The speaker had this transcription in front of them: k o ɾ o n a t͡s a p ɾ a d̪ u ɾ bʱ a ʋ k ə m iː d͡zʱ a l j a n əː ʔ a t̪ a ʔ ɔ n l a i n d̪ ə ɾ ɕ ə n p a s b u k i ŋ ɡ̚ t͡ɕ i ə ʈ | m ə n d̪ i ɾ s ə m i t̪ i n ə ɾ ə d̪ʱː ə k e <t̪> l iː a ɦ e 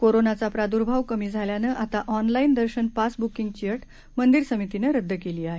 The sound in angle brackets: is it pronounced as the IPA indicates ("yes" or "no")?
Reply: no